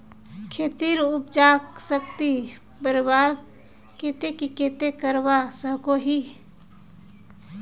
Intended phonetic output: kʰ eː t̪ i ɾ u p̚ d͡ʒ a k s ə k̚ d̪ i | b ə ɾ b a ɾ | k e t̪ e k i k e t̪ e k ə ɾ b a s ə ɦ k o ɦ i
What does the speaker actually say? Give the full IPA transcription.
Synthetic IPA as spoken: kʰ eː t̪ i ɾ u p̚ d͡ʒ a k s ə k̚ t̪ i | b ə ɾ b a ɾ | k e t̪ e k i k e t̪ e k ə ɾ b a s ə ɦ k o ɦ i